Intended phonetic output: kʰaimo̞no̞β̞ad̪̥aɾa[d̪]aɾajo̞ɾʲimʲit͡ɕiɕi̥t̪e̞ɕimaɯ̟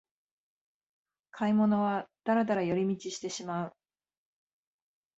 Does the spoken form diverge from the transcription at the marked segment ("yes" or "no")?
no